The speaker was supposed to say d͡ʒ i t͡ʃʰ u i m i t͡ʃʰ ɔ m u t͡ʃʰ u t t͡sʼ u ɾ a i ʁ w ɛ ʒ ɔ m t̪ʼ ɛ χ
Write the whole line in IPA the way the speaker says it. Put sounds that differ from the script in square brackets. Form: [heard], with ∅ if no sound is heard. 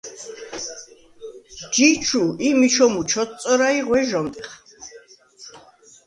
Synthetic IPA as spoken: d͡ʒ i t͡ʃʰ u i m i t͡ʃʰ ɔ m u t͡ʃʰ [ɔ] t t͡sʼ [ɔ] ɾ a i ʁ w ɛ ʒ ɔ m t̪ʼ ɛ χ